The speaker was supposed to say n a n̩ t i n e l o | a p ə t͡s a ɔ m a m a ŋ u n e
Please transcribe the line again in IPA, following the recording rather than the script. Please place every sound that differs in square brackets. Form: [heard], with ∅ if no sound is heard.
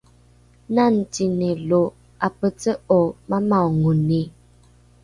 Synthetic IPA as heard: n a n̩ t i n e l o | a p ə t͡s [ə] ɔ m a m a ŋ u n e